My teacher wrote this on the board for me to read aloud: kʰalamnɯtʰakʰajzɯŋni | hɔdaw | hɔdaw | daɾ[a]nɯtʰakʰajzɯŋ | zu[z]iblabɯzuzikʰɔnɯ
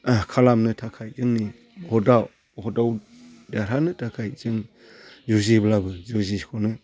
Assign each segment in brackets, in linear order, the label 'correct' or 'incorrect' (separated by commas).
correct, correct